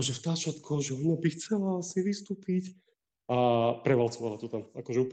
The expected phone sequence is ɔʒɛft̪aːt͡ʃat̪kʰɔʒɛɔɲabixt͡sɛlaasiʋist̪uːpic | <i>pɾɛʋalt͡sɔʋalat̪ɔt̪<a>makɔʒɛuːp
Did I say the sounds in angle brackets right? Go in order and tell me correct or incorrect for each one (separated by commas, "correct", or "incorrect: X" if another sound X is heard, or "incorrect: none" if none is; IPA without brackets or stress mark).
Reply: incorrect: a, correct